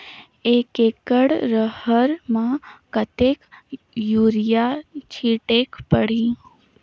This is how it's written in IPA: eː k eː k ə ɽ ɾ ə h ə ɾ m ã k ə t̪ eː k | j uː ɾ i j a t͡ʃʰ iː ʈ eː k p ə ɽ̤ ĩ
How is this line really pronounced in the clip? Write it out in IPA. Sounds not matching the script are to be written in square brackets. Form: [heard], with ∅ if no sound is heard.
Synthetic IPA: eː k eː k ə ɽ ɾ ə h ə ɾ m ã k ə t̪ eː k | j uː ɾ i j a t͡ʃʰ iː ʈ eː k p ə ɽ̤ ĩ